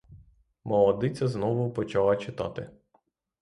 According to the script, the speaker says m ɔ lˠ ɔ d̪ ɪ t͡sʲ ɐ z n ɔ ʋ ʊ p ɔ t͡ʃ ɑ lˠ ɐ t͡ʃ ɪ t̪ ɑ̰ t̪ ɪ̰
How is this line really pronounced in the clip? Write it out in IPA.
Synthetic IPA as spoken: m ɔ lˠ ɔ d̪ ɪ t͡sʲ ɐ z n ɔ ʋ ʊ p ɔ t͡ʃ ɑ lˠ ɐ t͡ʃ ɪ t̪ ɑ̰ t̪ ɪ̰